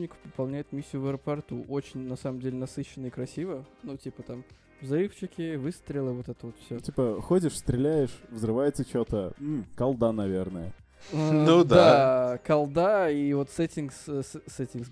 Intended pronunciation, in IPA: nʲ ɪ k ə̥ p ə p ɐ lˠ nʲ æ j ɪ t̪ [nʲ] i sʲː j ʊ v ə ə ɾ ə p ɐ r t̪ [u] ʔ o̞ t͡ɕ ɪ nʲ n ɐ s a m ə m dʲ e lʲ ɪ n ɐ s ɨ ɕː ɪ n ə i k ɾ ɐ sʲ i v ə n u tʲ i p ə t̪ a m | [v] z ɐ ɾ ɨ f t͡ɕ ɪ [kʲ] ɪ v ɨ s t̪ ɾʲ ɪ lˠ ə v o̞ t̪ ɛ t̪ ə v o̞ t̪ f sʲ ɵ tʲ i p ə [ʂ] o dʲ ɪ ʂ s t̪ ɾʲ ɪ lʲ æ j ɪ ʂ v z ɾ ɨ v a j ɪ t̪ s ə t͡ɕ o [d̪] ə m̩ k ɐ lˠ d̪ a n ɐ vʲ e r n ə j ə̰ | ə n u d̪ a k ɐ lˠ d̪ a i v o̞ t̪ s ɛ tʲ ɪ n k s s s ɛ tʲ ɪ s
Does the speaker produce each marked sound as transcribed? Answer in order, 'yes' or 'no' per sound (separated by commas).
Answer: no, yes, yes, yes, no, no